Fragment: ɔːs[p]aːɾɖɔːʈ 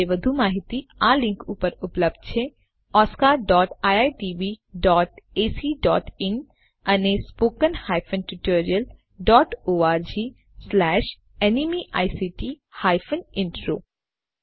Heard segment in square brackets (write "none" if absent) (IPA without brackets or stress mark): k